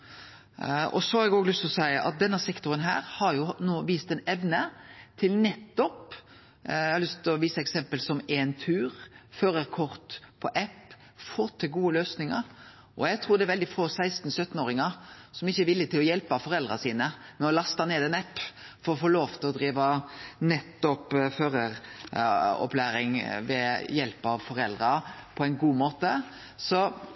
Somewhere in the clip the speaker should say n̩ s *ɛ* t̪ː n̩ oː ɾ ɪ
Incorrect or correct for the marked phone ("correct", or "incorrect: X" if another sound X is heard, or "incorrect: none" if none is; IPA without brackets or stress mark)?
incorrect: œ